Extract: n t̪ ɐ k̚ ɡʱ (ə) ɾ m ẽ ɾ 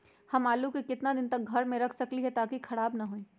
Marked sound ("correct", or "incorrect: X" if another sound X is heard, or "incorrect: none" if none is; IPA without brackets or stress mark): incorrect: ɐ